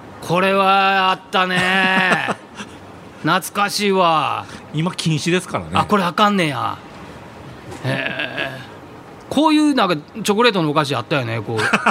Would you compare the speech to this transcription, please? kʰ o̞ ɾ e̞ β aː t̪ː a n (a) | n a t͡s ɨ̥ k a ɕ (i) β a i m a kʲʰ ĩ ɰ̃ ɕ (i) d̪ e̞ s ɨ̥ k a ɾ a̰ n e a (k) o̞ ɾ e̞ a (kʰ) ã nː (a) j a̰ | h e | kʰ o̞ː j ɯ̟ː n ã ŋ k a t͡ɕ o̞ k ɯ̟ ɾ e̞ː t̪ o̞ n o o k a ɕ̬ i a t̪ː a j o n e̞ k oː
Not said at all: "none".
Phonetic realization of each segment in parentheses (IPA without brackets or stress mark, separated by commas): e, iː, i, k, k, e